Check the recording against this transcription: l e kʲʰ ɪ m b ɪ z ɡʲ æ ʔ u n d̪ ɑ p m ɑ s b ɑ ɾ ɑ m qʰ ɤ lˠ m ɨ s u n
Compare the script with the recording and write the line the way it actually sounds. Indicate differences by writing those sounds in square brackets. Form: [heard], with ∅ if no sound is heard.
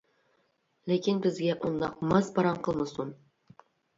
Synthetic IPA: l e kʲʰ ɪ [n] b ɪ z ɡʲ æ ʔ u n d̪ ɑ [q] m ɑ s b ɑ ɾ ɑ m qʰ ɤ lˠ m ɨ s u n